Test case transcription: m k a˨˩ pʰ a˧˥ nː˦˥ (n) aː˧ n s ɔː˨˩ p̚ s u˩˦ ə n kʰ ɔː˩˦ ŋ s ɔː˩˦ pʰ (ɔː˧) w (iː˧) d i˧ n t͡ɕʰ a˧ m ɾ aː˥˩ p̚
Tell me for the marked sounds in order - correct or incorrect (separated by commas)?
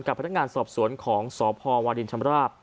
incorrect, correct, incorrect